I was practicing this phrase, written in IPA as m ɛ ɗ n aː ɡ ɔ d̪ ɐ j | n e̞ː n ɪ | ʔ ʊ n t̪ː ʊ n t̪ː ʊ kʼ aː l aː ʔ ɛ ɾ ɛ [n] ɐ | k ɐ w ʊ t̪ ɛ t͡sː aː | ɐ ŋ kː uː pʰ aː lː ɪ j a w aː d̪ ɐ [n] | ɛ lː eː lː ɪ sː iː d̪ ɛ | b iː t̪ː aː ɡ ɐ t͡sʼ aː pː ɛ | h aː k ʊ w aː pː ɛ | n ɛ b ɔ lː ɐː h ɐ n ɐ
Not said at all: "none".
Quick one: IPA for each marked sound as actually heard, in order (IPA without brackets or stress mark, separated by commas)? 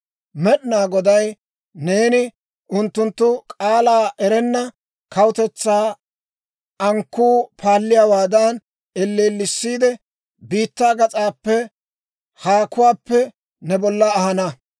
nː, n